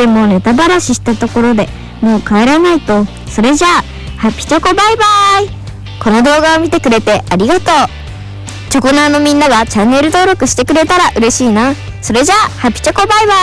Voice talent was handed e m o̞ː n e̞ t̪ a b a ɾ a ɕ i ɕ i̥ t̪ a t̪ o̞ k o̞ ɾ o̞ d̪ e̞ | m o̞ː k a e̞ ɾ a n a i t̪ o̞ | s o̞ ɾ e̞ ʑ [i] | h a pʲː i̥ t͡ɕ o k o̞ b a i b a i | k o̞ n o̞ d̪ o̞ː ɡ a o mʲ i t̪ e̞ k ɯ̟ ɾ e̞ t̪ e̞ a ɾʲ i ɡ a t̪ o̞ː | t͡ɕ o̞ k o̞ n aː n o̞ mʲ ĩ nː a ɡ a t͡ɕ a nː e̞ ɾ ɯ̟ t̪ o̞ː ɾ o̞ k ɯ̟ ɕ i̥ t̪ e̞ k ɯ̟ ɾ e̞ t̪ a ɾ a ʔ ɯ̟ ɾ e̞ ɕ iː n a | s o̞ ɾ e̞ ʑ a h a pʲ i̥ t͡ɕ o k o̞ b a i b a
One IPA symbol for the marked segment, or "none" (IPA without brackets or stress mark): a